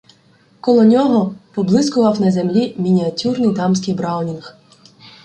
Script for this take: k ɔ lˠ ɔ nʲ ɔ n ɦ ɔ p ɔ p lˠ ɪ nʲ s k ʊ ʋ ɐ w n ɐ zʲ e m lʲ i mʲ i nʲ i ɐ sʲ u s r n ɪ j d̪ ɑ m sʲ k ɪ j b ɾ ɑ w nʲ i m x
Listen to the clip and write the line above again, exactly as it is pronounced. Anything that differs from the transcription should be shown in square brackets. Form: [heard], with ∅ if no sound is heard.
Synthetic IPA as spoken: k ɔ lˠ ɔ nʲ ɔ [∅] ɦ ɔ p ɔ [b] lˠ ɪ [∅] s k ʊ ʋ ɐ w n ɐ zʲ e m lʲ i mʲ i nʲ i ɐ [tʲ] u [∅] r n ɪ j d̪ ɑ m sʲ k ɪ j b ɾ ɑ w nʲ i [n] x